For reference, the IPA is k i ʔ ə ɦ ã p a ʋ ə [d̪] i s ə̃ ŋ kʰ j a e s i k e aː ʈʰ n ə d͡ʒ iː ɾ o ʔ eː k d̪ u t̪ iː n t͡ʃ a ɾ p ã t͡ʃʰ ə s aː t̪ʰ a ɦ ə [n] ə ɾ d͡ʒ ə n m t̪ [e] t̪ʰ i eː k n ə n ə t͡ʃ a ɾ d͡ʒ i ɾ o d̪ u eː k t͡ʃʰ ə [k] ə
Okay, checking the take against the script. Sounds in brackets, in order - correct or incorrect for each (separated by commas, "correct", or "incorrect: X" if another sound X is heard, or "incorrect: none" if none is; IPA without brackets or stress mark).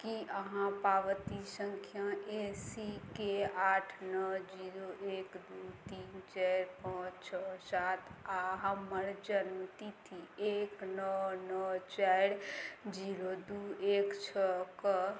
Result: incorrect: t̪, incorrect: m, incorrect: i, correct